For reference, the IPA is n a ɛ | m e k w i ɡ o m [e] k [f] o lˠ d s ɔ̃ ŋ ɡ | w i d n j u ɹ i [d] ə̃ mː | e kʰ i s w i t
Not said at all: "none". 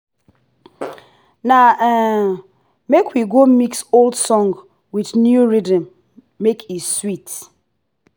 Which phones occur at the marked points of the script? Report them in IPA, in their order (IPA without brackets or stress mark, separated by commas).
i, s, d